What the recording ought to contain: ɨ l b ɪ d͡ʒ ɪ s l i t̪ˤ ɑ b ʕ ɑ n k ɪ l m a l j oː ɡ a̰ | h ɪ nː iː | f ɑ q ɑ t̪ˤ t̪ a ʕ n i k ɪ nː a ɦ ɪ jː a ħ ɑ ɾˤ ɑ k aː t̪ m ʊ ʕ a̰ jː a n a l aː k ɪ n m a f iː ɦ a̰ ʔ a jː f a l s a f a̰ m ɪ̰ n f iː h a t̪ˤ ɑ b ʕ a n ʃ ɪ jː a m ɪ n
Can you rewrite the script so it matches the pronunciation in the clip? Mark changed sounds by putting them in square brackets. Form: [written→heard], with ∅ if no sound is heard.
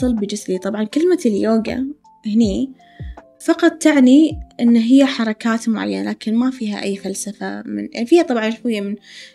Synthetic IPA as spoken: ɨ l b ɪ d͡ʒ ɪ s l i t̪ˤ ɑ b ʕ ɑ n k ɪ l m a l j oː ɡ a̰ | h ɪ [nː→n] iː | f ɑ q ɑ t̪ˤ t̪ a ʕ n i [k→ʔ] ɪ nː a ɦ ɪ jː a ħ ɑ ɾˤ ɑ k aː t̪ m ʊ ʕ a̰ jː a n a l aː k ɪ n m a f iː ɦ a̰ ʔ a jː f a l s a f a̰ m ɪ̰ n f iː h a t̪ˤ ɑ b ʕ [a→ɑ] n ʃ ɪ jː a m ɪ n